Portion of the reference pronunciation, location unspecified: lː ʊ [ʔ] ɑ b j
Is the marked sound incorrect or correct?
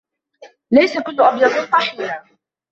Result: correct